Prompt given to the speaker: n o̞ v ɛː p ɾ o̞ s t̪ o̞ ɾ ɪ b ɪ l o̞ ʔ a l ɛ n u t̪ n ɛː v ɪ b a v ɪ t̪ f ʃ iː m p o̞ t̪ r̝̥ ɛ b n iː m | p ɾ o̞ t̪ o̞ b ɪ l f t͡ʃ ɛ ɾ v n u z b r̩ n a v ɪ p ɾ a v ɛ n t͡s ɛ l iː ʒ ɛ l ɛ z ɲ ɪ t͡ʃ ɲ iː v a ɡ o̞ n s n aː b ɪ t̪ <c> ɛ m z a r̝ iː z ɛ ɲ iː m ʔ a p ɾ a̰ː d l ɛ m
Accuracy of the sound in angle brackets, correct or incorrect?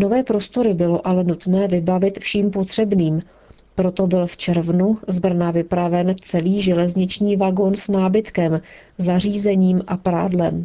incorrect